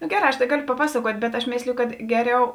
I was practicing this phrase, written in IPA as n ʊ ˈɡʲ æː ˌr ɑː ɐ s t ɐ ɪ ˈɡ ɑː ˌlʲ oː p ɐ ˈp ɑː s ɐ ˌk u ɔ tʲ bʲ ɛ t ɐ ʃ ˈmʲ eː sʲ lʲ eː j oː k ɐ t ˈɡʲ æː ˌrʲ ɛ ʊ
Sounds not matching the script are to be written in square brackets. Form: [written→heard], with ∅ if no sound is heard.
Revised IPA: n ʊ ˈɡʲ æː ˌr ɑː ɐ [s→ʃ] t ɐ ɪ ˈɡ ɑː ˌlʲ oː p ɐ ˈp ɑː s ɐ ˌk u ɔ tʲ bʲ ɛ t ɐ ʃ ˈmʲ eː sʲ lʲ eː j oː k ɐ t ˈɡʲ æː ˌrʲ ɛ ʊ